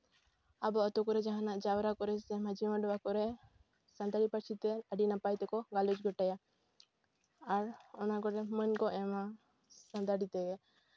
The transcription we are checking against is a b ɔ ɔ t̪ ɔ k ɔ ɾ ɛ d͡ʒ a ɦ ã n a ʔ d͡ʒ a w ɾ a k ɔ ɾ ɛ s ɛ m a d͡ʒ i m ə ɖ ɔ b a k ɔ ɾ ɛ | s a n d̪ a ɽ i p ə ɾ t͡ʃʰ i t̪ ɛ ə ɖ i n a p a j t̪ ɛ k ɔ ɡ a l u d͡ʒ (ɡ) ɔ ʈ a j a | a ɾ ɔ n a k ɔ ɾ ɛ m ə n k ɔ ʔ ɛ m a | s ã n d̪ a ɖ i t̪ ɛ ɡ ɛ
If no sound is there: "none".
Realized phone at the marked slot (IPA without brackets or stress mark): ɡ